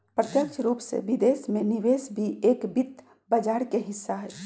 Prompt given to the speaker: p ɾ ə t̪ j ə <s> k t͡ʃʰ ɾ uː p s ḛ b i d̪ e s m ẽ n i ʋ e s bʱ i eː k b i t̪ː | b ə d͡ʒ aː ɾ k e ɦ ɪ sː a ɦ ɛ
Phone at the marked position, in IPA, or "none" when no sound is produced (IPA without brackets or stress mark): none